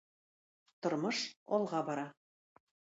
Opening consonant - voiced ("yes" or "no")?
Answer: no